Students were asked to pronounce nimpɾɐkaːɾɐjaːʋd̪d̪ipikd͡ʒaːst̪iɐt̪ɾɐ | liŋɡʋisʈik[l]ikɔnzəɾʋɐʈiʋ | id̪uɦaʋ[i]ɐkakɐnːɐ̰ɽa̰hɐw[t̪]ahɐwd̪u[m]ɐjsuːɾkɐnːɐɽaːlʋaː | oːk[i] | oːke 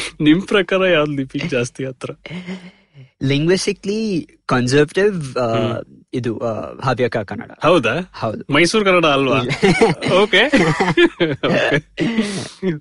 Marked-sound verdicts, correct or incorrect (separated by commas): correct, incorrect, incorrect, correct, incorrect